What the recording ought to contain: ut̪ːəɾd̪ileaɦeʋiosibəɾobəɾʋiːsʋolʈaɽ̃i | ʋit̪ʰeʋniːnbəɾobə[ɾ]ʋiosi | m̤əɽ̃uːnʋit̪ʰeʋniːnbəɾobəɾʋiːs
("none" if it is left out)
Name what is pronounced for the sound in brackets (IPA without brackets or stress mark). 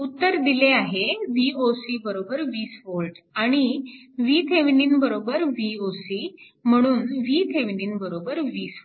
ɾ